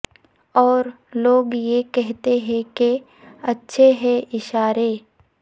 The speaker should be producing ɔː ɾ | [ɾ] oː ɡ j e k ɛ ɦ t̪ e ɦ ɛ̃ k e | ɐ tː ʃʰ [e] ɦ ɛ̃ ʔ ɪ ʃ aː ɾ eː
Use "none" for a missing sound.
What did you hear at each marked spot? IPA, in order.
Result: l, e

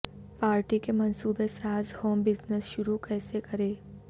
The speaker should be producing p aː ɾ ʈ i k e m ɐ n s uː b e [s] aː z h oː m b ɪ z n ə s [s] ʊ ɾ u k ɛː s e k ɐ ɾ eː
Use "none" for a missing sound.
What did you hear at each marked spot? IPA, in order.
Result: s, ʃ

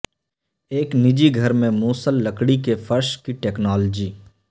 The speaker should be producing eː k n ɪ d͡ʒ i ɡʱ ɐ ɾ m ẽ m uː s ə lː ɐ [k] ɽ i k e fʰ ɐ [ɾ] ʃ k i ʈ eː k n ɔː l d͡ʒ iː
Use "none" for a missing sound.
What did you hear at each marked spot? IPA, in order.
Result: k, ɾ

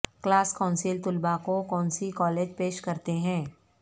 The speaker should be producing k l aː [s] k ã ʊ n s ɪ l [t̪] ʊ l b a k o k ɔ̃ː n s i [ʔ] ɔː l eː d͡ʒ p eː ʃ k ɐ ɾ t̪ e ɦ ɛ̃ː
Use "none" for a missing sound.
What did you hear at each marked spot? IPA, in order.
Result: s, t̪, k

